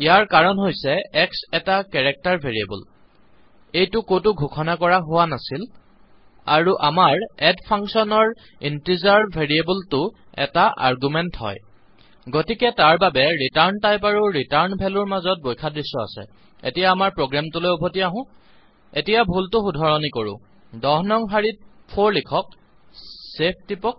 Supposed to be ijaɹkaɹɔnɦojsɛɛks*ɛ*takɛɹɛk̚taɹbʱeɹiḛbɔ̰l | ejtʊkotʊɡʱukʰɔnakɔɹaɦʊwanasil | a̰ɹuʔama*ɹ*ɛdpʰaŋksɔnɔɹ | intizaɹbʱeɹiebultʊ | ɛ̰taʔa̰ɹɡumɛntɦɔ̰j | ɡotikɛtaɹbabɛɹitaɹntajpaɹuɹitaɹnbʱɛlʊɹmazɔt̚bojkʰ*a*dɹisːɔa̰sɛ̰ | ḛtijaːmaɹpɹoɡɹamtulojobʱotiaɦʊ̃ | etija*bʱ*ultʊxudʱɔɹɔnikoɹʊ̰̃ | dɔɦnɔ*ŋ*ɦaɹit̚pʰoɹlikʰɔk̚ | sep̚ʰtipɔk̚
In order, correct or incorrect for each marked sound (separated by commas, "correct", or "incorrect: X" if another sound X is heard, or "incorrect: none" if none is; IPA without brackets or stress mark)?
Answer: correct, correct, correct, correct, correct